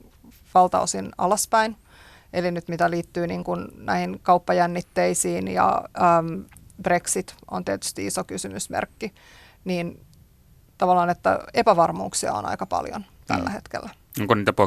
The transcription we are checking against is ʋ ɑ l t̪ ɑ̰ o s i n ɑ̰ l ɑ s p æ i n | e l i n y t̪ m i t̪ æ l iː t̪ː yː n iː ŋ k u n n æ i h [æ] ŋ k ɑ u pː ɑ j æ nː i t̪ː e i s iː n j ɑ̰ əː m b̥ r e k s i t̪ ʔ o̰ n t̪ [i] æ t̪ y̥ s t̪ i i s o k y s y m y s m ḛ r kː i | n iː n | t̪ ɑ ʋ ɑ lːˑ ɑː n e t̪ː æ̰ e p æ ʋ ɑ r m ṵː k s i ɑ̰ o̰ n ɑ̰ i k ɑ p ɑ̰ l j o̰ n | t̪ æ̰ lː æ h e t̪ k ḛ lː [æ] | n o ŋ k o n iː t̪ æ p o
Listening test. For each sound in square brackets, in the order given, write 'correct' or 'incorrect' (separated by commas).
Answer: incorrect, correct, correct